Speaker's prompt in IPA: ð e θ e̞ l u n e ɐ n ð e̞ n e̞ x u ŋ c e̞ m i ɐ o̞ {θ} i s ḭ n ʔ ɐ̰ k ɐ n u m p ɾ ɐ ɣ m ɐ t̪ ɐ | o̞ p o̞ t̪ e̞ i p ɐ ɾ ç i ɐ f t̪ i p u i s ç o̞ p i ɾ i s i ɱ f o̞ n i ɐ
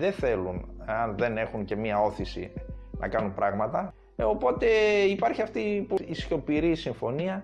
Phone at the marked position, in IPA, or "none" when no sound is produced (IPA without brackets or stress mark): θ